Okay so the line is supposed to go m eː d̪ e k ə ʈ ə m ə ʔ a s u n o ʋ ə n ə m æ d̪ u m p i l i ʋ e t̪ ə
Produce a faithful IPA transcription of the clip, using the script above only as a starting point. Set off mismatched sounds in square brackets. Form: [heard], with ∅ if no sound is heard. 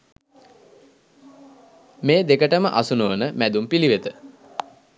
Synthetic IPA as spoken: m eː d̪ e k ə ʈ ə m ə ʔ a s u n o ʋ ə n ə m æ d̪ u m p i l i ʋ e t̪ ə